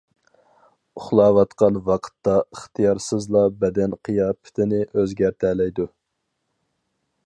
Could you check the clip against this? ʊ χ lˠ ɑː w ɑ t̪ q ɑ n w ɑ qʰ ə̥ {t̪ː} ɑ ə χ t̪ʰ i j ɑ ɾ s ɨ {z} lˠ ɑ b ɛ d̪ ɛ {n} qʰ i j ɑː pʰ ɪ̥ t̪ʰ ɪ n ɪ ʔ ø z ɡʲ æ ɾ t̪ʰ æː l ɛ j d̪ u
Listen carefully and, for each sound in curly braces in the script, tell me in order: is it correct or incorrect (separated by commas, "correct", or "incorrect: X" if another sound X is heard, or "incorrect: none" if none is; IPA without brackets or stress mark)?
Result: correct, correct, correct